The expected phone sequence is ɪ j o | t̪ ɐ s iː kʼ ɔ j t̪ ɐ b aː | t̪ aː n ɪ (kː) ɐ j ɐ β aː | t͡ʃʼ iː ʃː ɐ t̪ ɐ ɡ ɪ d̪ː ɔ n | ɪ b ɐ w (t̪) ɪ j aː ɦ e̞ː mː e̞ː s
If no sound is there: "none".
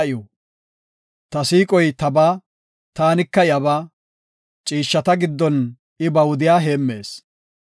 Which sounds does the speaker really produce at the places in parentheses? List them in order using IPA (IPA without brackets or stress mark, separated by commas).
kː, d̪